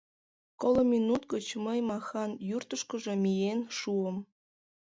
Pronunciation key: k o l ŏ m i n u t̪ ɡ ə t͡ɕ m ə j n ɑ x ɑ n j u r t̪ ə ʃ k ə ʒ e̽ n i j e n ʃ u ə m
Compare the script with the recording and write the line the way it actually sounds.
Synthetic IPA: k o l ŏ m i n u t̪ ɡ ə t͡ɕ m ə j m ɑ x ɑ n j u r t̪ ə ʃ k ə ʒ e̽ m i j e n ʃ u ə m